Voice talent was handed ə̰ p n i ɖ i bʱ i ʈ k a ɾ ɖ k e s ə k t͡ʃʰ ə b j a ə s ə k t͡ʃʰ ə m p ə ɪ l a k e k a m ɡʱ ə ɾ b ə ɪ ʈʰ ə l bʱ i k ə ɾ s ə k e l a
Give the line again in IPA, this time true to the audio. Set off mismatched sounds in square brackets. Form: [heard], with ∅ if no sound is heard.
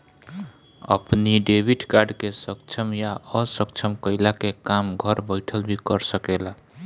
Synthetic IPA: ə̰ p n i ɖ [e] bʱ i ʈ k a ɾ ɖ k e s ə k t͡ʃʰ ə [m] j a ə s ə k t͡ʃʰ ə m [k] ə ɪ l a k e k a m ɡʱ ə ɾ b ə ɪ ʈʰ ə l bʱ i k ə ɾ s ə k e l a